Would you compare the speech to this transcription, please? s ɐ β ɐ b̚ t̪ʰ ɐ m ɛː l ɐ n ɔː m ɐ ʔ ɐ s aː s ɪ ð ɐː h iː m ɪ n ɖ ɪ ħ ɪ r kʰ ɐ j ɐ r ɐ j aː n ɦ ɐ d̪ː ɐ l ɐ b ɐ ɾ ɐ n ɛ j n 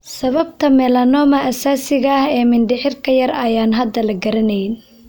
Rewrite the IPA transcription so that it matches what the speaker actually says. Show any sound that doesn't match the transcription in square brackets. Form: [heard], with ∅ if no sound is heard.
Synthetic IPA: s ɐ β ɐ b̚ t̪ʰ ɐ m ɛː l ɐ n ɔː m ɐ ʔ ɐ s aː s ɪ [ɣ] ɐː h [ɛː] m ɪ n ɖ ɪ ħ ɪ r kʰ ɐ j ɐ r ɐ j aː n ɦ ɐ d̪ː ɐ l ɐ [ɡ] ɐ ɾ ɐ n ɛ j n

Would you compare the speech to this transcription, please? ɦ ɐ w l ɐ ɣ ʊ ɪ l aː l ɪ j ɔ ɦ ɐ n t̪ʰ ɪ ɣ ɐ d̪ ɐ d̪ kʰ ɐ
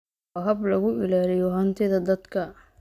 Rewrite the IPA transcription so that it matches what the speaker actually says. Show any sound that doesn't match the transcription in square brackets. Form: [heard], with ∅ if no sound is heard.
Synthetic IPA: ɦ ɐ [b] l ɐ ɣ ʊ ɪ l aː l ɪ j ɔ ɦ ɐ n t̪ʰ ɪ [ð] ɐ d̪ ɐ d̪ kʰ ɐ

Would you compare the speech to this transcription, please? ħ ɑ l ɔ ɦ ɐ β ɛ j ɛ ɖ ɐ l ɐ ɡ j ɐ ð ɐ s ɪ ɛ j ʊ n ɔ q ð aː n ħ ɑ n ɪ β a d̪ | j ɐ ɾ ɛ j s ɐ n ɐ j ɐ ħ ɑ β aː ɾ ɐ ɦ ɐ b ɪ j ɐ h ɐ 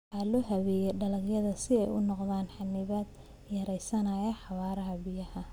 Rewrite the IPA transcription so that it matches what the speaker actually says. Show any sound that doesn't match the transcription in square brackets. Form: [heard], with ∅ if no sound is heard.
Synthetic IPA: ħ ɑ l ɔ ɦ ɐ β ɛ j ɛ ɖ ɐ l ɐ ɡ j ɐ ð ɐ s ɪ ɛ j ʊ n ɔ q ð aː n ħ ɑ n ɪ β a d̪ | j ɐ ɾ ɛ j s ɐ n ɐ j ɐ ħ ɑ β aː ɾ ɐ ɦ ɐ b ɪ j ɐ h ɐ

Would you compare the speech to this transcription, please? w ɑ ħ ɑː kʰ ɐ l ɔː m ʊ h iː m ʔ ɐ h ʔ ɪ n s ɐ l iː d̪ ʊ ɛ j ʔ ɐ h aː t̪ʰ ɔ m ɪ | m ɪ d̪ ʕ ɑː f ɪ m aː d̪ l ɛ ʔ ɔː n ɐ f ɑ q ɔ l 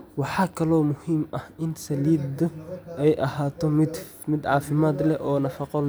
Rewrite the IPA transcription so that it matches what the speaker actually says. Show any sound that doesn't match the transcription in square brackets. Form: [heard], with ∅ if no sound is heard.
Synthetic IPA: w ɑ ħ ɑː kʰ ɐ l ɔː m ʊ h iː m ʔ ɐ h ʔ ɪ n s ɐ l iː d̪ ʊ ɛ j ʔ ɐ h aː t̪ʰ ɔ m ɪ | m ɪ d̪ ʕ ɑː f ɪ m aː d̪ l ɛ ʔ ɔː n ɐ f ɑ q ɔ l

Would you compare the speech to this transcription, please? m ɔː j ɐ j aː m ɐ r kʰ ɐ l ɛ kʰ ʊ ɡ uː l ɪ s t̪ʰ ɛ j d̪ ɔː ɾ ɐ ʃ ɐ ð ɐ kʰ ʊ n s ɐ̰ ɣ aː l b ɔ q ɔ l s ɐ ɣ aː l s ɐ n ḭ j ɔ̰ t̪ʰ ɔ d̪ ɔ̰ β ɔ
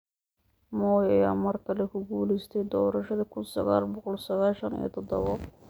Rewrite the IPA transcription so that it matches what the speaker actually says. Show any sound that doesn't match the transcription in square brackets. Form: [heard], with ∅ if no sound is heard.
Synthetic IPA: m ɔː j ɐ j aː m ɐ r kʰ ɐ l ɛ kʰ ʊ ɡ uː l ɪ s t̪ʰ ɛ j d̪ ɔː ɾ ɐ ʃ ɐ ð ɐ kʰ ʊ n s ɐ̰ ɣ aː l b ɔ q ɔ l s ɐ ɣ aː l [ʃ] ɐ n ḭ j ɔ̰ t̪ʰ ɔ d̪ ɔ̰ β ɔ

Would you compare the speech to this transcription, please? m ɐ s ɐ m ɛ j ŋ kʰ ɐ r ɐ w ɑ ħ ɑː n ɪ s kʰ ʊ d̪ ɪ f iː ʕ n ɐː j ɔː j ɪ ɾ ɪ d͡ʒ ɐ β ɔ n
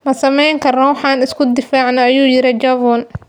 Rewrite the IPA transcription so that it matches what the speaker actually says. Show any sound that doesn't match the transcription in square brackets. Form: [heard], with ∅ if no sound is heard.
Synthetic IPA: m ɐ s ɐ m ɛ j ŋ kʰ ɐ r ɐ w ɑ ħ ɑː n ɪ s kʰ ʊ d̪ ɪ f [aː] ʕ n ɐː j [uː] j ɪ ɾ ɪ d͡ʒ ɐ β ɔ n

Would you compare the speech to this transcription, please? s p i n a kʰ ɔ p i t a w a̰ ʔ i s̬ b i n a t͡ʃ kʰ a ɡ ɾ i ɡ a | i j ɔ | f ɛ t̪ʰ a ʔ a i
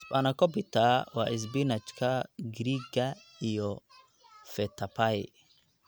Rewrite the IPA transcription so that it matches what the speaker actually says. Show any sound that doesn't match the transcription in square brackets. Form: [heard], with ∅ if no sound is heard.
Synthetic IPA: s p [a] n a [k] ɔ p i t a w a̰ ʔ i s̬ b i n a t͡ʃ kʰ a ɡ ɾ i ɡ a | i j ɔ | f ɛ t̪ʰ a [p] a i

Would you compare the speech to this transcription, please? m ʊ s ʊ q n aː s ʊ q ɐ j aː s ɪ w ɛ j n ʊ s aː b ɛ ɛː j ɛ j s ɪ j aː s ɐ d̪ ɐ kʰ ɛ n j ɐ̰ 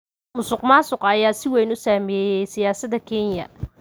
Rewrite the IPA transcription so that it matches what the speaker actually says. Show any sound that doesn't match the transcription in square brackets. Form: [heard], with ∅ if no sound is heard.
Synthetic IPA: m ʊ s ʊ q [m] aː s ʊ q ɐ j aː s ɪ w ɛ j n ʊ s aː [m] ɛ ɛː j ɛ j s ɪ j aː s ɐ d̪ ɐ kʰ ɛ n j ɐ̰

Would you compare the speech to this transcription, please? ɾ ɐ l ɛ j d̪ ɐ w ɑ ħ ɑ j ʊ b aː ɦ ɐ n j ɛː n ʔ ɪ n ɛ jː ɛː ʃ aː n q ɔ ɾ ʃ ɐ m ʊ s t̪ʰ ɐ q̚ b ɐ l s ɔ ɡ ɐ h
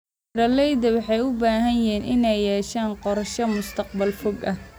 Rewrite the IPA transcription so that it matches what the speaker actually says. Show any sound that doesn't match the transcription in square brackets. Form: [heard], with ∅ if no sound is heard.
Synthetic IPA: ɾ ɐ l ɛ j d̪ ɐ w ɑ ħ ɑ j ʊ b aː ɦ ɐ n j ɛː n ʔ ɪ n ɛ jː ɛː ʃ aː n q ɔ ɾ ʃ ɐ m ʊ s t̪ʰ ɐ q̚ b ɐ l [f] ɔ ɡ ɐ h

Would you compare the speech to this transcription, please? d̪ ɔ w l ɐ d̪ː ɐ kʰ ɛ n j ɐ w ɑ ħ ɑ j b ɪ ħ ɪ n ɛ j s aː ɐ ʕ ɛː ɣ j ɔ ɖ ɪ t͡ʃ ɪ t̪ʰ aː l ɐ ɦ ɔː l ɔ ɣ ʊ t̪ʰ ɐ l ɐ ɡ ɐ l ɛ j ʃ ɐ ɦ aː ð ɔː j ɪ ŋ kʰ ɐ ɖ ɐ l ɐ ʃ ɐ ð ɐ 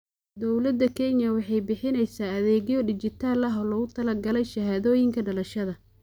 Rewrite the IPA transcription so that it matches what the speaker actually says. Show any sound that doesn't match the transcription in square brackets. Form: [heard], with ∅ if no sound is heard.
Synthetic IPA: d̪ ɔ w l ɐ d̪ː ɐ kʰ ɛ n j ɐ w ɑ ħ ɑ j b ɪ ħ ɪ n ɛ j s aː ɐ [ð] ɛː ɣ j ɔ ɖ ɪ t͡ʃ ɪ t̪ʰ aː l ɐ ɦ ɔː l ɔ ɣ ʊ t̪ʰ ɐ l ɐ ɡ ɐ l ɛ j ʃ ɐ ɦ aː ð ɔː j ɪ ŋ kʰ ɐ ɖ ɐ l ɐ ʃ ɐ ð ɐ

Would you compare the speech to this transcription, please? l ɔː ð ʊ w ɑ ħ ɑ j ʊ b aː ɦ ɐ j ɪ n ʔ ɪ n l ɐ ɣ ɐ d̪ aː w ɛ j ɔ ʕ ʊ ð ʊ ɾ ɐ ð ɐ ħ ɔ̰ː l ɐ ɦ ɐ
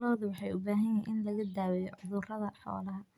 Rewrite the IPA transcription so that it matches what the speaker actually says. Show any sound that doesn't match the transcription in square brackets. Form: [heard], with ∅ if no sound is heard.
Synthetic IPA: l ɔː ð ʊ w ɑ ħ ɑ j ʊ b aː ɦ ɐ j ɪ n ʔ ɪ n l ɐ ɣ ɐ d̪ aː w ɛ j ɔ ʕ ʊ ð ʊ [r] ɐ ð ɐ ħ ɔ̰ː l ɐ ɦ ɐ

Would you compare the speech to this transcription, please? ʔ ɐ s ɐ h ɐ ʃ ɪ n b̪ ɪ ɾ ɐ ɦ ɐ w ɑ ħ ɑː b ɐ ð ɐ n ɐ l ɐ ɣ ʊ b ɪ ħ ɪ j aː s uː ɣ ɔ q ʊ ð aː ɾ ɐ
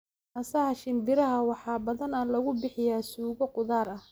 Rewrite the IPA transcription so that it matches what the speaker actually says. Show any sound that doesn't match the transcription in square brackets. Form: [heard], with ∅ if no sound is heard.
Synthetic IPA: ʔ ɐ s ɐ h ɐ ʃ ɪ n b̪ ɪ ɾ ɐ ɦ ɐ w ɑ ħ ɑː b ɐ ð ɐ n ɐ l ɐ ɣ ʊ b ɪ ħ ɪ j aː s uː ɣ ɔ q ʊ ð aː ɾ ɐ

